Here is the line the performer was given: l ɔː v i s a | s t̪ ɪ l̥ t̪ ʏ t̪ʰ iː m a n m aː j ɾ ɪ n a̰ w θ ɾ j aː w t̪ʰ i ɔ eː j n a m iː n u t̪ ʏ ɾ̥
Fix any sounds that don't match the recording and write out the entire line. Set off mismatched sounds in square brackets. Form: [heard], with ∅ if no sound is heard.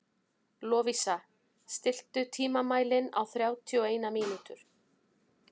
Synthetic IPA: l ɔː v i s a | s t̪ ɪ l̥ t̪ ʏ t̪ʰ iː m a [∅] m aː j [l] ɪ n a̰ w θ ɾ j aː w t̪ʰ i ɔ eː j n a m iː n u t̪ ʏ ɾ̥